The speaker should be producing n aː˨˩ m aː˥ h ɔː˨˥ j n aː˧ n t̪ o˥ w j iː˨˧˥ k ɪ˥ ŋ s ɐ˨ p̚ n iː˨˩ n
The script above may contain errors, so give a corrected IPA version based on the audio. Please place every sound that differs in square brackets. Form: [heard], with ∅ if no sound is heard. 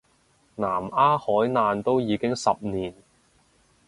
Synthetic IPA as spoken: n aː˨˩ m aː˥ h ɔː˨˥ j n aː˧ n t̪ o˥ w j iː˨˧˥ k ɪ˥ ŋ s ɐ˨ p̚ n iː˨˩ n